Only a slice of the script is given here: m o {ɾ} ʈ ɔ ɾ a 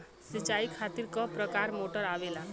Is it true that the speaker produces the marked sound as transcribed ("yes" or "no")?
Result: no